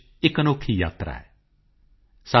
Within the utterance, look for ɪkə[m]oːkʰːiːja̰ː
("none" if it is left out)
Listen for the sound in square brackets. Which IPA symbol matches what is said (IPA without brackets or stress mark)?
n